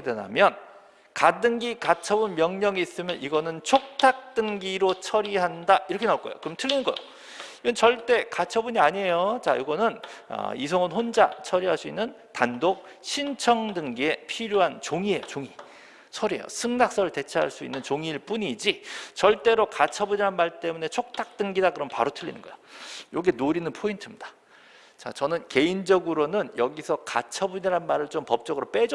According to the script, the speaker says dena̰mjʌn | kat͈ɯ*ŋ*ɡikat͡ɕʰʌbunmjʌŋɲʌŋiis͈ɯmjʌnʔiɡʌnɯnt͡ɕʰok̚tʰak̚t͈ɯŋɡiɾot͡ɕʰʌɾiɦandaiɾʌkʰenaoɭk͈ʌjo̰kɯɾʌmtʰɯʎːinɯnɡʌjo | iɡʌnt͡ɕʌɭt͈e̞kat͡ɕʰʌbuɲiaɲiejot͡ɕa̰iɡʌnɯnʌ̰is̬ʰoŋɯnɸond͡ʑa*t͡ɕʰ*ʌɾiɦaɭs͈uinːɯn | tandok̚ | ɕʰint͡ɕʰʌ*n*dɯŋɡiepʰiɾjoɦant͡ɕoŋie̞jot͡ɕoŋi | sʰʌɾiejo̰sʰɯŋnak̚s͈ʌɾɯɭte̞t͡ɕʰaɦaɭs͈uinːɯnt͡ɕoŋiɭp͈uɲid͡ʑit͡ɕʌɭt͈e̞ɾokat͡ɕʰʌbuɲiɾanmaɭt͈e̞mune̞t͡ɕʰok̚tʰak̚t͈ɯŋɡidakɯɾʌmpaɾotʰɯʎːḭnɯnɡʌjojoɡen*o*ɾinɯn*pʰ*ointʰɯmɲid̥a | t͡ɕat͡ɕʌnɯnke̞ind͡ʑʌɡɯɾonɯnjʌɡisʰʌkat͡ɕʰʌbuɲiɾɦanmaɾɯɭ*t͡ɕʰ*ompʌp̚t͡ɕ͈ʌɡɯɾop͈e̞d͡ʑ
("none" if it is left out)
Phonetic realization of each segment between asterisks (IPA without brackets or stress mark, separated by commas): ŋ, t͡ɕʰ, ŋ, o, pʰ, t͡ɕ